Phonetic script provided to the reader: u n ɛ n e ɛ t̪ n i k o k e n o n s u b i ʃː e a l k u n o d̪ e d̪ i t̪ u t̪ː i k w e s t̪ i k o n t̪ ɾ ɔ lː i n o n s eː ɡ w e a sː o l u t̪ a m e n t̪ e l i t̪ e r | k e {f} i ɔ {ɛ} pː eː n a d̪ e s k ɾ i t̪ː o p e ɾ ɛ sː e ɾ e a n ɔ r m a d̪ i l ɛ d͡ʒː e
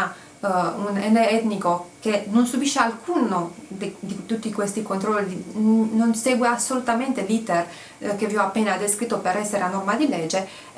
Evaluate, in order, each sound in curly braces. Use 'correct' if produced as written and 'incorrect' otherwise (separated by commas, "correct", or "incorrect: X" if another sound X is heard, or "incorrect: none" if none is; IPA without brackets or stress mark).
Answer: incorrect: v, incorrect: a